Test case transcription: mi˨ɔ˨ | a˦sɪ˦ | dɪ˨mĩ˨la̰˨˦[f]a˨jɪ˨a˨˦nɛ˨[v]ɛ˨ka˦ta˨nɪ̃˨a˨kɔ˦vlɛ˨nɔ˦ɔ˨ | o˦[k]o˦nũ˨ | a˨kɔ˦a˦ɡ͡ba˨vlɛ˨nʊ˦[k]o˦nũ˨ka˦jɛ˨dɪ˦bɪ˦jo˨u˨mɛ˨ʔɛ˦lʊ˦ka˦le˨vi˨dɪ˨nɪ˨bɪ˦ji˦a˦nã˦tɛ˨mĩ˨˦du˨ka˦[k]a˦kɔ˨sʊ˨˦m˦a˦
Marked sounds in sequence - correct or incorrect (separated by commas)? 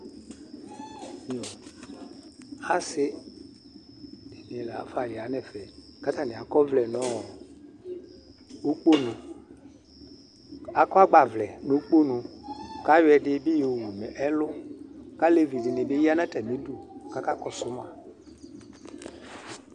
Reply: correct, incorrect, incorrect, incorrect, correct